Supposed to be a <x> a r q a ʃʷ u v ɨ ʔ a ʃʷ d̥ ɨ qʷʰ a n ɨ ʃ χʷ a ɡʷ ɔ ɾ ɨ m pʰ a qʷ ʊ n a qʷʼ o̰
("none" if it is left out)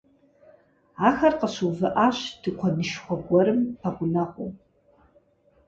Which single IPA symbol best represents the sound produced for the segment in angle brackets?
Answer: x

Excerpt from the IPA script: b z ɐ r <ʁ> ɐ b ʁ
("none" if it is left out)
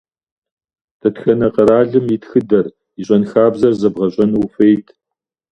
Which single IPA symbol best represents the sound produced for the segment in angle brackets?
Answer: z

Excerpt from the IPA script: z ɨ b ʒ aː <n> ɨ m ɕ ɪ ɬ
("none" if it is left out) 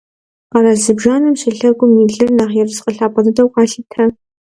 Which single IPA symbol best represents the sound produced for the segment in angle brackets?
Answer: n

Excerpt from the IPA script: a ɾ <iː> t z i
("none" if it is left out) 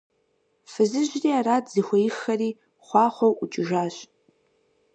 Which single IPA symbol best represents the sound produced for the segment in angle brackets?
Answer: aː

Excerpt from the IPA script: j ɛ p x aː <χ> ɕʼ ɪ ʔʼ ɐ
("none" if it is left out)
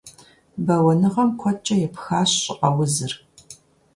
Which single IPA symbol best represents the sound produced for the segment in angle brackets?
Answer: ɕ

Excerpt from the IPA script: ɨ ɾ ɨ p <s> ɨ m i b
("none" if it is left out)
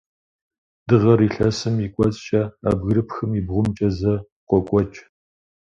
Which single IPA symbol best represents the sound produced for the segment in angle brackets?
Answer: x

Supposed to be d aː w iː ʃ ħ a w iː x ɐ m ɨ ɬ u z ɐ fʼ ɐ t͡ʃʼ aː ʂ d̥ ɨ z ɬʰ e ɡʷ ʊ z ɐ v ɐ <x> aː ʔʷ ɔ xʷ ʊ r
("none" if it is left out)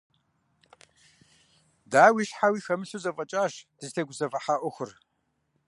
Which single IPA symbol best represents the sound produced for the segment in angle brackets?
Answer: ħ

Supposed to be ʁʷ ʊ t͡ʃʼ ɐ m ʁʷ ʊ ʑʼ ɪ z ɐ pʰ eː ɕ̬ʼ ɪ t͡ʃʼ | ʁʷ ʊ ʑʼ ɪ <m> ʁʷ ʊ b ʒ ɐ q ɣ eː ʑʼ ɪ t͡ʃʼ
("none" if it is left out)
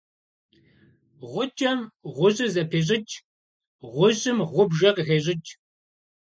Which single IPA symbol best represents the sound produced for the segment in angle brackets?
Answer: m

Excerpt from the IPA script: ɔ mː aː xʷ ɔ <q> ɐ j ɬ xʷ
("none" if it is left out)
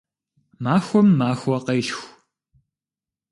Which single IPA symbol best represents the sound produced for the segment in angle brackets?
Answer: q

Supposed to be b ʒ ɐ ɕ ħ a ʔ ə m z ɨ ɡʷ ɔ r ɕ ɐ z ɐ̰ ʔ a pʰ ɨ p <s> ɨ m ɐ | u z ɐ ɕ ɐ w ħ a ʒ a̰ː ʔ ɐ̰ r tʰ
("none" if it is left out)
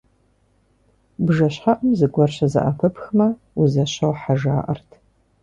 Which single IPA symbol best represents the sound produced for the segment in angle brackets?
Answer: x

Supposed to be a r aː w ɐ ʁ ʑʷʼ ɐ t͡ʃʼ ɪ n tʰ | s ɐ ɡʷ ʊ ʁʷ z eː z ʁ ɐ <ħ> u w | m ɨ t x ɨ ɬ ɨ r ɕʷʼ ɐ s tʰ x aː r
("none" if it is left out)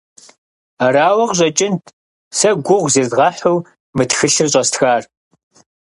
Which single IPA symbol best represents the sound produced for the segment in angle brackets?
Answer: ħ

